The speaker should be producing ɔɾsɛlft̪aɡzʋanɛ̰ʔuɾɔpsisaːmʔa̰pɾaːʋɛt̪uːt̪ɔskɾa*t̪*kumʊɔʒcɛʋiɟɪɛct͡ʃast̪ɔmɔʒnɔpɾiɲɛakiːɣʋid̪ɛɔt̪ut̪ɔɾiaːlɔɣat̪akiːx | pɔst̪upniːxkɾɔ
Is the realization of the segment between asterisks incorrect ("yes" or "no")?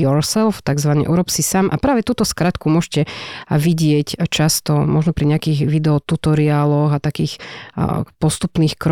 no